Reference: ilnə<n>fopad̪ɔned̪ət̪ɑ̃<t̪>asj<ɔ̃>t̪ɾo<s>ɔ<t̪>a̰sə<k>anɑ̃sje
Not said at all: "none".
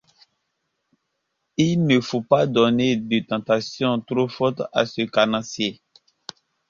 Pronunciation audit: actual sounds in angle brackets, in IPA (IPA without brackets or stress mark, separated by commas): none, t̪, ɔ̃, f, t̪, k